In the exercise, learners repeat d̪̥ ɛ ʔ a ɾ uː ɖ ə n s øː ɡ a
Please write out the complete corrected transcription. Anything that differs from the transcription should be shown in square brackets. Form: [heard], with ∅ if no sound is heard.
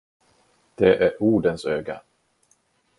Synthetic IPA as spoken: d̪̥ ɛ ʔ [æ] ɾ uː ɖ ə n s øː ɡ a